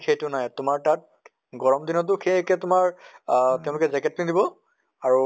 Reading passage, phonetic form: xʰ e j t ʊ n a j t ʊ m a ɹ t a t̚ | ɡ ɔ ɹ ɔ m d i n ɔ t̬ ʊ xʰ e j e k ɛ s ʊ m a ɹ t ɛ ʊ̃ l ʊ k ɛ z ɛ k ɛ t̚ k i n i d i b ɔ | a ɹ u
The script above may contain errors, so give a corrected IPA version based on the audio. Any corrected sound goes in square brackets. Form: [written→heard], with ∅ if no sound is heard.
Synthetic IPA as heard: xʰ e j t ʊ n a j t ʊ m a ɹ t a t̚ | ɡ ɔ ɹ ɔ m d i n ɔ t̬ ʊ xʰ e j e k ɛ [s→t] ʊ m a ɹ t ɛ ʊ̃ l ʊ k ɛ z ɛ k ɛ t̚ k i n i d i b ɔ | a ɹ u